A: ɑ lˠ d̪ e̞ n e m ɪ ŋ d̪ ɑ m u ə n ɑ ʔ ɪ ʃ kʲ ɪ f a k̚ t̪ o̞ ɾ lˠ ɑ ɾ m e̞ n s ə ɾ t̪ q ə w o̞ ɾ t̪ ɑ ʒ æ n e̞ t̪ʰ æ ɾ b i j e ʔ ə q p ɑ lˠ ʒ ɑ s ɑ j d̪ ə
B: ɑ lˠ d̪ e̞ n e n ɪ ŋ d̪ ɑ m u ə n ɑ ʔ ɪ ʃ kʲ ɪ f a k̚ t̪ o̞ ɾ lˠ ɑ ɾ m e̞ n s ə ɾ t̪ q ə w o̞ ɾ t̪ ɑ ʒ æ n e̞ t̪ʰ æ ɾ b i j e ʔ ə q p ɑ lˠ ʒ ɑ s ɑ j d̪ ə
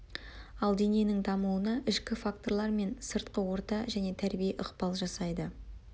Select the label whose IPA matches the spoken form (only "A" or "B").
B